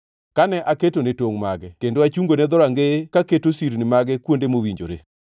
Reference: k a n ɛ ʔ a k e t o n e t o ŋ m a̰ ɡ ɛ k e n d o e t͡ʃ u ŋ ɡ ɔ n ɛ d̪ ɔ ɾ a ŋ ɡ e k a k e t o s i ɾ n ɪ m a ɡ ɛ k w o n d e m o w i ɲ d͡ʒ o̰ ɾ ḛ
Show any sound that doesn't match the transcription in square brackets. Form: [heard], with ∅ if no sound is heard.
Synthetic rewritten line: k a n ɛ ʔ a k e t o n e t o ŋ m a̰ ɡ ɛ k e n d o [a] t͡ʃ u ŋ ɡ [o] n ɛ d̪ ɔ ɾ a ŋ ɡ e k a k e t o s i ɾ n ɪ m a ɡ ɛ k w o n d e m o w i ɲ d͡ʒ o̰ ɾ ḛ

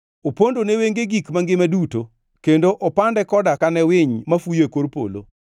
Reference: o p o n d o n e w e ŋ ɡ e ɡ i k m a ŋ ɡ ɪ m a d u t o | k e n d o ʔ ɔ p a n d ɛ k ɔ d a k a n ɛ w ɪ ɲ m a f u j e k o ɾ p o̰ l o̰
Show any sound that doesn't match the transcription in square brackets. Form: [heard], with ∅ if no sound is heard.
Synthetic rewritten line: o p o n d o n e w e ŋ ɡ e ɡ i k m a ŋ ɡ ɪ m a d u t o | k e n d o ʔ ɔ p a n d ɛ k ɔ d a k a n ɛ w ɪ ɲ m a f u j e k o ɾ p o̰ l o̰

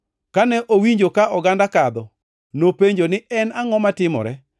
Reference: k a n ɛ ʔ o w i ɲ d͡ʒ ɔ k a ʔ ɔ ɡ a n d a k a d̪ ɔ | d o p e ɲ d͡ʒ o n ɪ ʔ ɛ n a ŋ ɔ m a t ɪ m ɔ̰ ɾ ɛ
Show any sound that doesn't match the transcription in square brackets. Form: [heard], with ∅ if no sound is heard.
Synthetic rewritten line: k a n ɛ ʔ o w i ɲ d͡ʒ [o] k a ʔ ɔ ɡ a n d a k a d̪ ɔ | [n] o p e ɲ d͡ʒ o n ɪ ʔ ɛ n a ŋ ɔ m a t ɪ m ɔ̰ ɾ ɛ

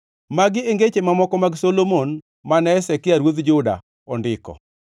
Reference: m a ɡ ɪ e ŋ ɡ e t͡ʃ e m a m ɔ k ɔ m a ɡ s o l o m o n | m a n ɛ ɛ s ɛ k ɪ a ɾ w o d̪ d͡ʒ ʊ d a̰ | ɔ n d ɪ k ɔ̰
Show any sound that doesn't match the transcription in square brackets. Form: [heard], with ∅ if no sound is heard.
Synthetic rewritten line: m a ɡ ɪ e ŋ ɡ e t͡ʃ e m a m ɔ k ɔ m a ɡ s o l o m o n | m a n ɛ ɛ s ɛ k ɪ a ɾ w o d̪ d͡ʒ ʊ d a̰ | ɔ n d ɪ k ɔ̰

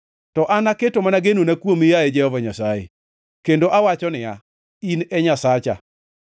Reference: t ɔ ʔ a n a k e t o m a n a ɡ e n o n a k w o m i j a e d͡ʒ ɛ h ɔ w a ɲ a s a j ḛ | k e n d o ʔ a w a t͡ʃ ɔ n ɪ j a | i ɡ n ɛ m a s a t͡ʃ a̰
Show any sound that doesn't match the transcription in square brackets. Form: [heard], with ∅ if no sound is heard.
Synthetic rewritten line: t ɔ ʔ a n a k e t o m a n a ɡ e n o n a k w o m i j a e d͡ʒ ɛ h ɔ [v] a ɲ a s a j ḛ | k e n d o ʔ a w a t͡ʃ ɔ n ɪ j a | i [∅] n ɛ [ɲ] a s a t͡ʃ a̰

